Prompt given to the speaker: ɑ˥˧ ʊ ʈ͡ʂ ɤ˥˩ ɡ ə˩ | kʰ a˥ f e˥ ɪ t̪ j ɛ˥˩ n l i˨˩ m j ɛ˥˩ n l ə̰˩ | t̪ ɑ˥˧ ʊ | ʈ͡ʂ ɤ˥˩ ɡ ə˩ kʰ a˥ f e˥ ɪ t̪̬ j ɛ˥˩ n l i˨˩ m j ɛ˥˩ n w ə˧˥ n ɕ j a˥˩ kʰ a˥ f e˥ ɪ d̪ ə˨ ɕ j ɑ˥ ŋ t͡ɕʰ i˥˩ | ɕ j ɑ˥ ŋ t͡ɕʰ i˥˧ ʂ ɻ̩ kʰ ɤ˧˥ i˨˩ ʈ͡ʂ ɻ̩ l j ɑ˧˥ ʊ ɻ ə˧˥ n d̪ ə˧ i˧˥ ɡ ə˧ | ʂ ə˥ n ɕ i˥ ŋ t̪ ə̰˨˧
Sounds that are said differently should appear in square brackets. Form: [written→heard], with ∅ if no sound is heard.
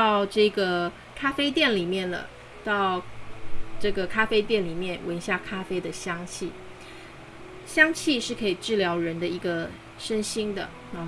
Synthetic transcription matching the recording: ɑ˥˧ ʊ ʈ͡ʂ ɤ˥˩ ɡ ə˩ | kʰ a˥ f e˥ ɪ t̪ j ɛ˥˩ n l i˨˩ m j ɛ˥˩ n l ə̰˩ | t̪ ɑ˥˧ ʊ | ʈ͡ʂ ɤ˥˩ ɡ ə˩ kʰ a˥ f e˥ ɪ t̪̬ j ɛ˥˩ n l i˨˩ m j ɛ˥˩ n w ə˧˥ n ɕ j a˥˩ kʰ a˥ f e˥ ɪ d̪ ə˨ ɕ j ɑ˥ ŋ t͡ɕʰ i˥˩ | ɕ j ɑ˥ ŋ t͡ɕʰ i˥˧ ʂ ɻ̩ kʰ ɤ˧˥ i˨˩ ʈ͡ʂ ɻ̩ l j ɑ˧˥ ʊ ɻ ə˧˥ n d̪ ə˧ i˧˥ ɡ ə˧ | ʂ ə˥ n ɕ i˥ ŋ [t̪→d̪] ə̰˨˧